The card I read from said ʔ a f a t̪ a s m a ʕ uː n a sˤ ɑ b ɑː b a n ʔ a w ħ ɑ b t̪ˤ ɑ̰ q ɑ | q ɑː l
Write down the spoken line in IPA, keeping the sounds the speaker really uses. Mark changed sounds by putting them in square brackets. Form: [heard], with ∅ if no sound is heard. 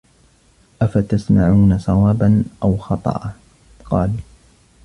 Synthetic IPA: ʔ a f a t̪ a s m a ʕ uː n a sˤ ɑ [w] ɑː b a n ʔ a w [x] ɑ [∅] t̪ˤ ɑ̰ [ʔ] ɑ | q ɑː l